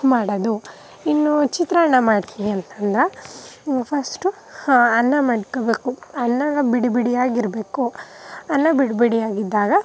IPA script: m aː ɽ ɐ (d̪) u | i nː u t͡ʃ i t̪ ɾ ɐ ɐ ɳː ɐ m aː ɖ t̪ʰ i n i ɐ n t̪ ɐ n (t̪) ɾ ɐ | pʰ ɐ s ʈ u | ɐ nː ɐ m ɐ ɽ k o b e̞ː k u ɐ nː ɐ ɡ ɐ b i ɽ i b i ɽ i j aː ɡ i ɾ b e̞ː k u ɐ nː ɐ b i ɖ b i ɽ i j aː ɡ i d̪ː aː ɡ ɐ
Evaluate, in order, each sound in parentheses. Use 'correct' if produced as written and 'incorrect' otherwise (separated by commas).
correct, incorrect